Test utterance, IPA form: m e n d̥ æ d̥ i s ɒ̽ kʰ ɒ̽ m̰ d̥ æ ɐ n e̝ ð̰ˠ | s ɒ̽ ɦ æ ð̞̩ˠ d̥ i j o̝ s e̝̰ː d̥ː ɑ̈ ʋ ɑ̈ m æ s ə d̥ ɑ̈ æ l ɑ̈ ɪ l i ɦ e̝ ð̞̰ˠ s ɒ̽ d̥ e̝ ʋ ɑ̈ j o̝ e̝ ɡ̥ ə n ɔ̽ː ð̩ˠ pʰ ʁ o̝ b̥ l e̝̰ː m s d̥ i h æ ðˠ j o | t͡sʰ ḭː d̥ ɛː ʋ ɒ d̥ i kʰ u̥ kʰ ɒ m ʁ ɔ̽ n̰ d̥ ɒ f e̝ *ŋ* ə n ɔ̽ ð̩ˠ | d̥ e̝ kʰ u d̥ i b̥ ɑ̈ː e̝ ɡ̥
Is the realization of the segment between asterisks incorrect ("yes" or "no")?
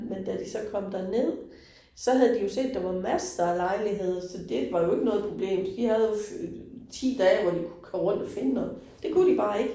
yes